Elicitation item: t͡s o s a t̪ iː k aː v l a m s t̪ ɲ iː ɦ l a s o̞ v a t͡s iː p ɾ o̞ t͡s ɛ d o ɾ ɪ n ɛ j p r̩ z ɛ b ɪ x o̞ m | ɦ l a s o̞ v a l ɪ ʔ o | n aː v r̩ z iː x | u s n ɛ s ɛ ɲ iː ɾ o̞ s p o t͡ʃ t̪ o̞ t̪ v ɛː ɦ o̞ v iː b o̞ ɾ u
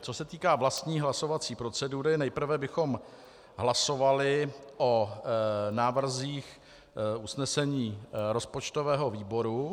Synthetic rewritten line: t͡s o s ɛ t̪ iː k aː v l a s t̪ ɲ iː ɦ l a s o̞ v a t͡s iː p ɾ o̞ t͡s ɛ d u ɾ ɪ n ɛ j p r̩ v ɛ b ɪ x o̞ m | ɦ l a s o̞ v a l ɪ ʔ o | n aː v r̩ z iː x | u s n ɛ s ɛ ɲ iː ɾ o̞ s p o t͡ʃ t̪ o̞ v ɛː ɦ o̞ v iː b o̞ ɾ u